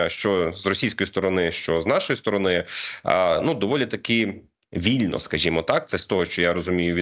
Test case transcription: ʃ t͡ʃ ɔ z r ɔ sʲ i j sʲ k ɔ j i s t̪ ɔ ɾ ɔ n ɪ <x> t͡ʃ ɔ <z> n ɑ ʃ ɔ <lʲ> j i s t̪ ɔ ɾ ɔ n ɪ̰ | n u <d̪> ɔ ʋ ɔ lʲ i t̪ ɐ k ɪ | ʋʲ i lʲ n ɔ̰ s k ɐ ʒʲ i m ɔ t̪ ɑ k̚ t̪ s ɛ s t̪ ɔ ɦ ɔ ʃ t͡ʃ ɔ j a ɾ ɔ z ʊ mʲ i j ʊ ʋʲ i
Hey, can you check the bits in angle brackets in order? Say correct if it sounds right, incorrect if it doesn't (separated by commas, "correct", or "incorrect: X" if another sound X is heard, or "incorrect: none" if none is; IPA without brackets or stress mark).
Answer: incorrect: ʃ, correct, incorrect: none, correct